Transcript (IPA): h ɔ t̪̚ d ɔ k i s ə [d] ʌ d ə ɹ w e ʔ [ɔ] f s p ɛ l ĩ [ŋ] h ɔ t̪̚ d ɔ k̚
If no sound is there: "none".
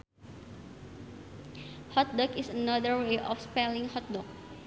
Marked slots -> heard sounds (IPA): n, ɔ, ŋ

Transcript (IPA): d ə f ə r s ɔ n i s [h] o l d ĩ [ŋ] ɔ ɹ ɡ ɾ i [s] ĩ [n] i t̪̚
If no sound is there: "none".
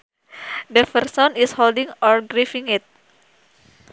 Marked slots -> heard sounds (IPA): h, ŋ, f, ŋ

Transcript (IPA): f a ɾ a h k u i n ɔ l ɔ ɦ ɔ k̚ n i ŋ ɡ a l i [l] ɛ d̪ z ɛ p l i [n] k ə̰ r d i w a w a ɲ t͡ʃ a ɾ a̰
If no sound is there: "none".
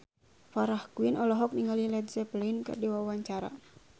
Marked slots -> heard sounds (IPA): l, n

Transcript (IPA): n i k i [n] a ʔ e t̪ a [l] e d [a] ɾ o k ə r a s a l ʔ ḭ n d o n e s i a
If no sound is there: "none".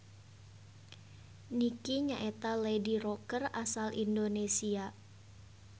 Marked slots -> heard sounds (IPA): ɲ, l, i

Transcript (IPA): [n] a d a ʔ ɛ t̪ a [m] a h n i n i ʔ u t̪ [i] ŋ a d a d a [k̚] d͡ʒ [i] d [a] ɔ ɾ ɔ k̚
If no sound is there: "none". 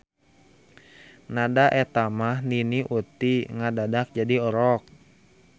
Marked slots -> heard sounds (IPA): n, m, i, k̚, a, i

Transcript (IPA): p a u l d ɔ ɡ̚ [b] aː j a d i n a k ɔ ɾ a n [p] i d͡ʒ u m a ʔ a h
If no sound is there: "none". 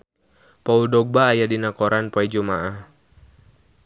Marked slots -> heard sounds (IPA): b, p

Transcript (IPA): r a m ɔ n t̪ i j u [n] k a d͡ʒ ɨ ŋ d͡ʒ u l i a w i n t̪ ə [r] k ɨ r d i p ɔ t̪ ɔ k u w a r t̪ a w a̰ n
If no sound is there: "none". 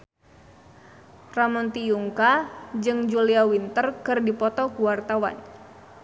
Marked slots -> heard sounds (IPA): ŋ, r

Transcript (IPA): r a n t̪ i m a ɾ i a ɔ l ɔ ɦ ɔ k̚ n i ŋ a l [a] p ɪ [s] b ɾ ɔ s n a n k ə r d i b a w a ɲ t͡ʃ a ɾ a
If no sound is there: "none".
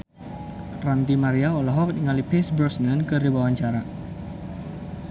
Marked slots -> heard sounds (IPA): i, s

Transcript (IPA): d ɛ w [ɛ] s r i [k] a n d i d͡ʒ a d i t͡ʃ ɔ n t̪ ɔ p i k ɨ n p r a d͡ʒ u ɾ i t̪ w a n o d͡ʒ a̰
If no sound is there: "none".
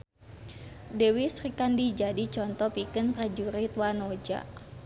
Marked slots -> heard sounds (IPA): i, k

